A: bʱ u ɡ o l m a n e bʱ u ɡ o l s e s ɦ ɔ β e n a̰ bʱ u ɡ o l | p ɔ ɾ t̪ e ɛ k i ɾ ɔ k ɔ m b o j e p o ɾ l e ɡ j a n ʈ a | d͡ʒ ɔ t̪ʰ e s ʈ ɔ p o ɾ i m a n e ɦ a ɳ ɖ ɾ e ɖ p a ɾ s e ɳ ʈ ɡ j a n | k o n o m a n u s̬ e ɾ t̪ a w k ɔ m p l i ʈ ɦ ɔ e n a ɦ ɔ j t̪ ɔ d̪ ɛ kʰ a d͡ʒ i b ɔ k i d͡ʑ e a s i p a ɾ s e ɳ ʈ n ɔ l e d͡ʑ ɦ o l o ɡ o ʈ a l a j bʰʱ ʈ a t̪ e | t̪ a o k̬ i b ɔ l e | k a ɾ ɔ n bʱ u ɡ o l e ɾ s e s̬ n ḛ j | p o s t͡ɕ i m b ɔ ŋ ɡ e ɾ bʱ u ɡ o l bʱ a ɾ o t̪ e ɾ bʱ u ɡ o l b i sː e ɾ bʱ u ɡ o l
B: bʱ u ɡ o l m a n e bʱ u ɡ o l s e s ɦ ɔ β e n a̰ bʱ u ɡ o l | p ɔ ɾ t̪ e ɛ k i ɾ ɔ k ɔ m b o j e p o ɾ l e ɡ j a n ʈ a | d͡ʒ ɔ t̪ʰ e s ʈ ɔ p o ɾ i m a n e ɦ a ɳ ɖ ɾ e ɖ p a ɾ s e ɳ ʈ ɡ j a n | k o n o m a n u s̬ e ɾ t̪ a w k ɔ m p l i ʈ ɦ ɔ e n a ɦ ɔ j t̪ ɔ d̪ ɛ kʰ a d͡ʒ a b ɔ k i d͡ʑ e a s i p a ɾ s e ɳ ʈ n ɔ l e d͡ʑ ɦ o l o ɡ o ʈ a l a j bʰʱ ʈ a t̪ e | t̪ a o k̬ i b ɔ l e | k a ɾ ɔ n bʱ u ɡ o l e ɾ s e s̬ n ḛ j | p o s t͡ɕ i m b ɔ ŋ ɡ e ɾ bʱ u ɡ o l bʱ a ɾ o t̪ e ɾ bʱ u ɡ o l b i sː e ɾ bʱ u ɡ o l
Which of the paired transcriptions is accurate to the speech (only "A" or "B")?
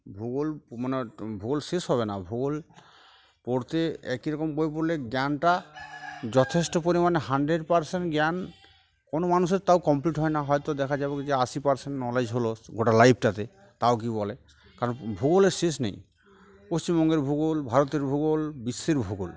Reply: B